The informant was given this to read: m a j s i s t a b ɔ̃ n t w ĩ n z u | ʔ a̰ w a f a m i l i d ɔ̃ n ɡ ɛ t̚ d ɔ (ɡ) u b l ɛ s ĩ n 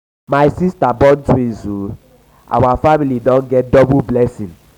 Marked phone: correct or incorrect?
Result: incorrect: b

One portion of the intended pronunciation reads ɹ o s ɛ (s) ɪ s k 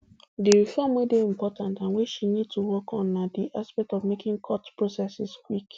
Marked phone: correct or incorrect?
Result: correct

